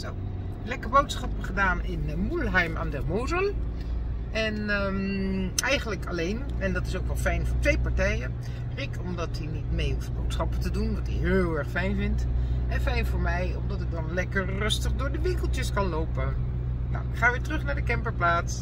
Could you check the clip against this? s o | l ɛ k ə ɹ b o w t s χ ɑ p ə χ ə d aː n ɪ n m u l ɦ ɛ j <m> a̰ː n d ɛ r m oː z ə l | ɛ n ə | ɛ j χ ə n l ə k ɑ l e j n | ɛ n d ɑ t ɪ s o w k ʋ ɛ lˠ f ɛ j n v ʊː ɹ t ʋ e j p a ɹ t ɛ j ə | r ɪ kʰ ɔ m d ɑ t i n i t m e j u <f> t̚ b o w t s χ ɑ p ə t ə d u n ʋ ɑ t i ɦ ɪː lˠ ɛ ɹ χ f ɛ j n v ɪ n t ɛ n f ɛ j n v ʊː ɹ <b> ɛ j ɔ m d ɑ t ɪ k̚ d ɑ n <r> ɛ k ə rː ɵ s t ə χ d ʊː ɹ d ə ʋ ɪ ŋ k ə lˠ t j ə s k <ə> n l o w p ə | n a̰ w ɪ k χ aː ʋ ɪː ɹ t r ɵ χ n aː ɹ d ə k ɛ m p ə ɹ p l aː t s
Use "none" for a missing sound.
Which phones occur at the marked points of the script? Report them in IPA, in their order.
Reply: m, f, m, l, ɑ

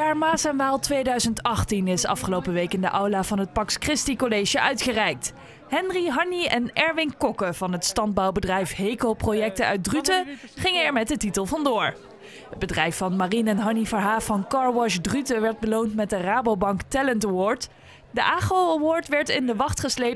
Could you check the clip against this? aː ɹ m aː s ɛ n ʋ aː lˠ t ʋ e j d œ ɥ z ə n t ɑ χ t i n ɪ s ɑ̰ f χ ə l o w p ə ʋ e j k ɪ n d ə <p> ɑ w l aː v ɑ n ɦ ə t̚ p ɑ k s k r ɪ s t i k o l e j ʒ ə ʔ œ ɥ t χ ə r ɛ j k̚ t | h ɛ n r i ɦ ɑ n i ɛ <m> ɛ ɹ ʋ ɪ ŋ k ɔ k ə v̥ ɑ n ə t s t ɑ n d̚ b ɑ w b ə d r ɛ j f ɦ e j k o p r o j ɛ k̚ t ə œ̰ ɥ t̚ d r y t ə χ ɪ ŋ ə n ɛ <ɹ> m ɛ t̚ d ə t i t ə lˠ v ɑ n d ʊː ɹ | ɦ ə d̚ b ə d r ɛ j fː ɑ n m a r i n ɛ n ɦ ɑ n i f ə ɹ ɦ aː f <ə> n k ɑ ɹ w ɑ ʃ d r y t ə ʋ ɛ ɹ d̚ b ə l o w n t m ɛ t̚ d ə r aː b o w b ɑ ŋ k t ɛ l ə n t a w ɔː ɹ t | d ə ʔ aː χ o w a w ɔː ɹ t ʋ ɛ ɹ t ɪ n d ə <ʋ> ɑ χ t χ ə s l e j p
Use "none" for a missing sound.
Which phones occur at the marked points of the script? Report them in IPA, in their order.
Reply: ʔ, n, ɹ, ɑ, ʋ

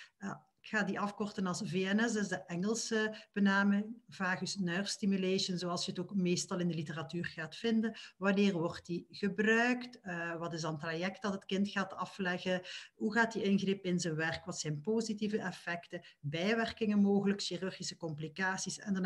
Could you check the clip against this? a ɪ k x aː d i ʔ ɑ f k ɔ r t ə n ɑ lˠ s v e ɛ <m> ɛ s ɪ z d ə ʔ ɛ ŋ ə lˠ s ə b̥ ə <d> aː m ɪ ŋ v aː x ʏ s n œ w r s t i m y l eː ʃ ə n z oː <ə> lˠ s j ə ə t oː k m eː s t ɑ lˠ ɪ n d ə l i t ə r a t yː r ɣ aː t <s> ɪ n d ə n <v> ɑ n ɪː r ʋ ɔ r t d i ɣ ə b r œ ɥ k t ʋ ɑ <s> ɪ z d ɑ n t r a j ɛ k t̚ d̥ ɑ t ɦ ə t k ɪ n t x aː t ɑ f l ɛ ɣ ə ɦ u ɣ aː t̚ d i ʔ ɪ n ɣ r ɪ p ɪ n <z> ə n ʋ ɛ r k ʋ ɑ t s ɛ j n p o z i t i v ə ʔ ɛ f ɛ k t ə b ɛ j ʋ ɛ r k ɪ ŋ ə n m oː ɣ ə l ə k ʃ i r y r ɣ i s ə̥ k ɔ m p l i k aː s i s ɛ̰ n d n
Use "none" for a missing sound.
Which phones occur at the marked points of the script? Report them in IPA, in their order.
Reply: n, n, ɑ, f, ʋ, t, z

